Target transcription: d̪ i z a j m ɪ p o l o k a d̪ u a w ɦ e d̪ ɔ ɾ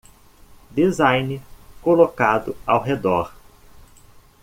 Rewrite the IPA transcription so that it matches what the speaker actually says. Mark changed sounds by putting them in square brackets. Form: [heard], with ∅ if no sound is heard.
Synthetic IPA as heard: d̪ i z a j [n] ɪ [k] o l o k a d̪ [ʊ] a w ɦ e d̪ ɔ ɾ